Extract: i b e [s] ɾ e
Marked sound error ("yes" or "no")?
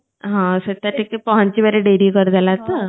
yes